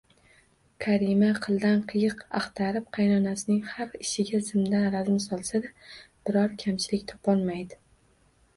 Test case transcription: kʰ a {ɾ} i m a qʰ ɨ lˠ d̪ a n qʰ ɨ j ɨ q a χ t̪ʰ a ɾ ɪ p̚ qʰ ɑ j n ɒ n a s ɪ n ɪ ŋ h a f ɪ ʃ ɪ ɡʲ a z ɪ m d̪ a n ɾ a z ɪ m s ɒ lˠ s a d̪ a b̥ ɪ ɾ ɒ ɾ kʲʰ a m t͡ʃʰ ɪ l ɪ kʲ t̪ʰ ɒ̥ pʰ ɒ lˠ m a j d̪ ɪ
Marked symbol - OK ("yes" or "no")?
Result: yes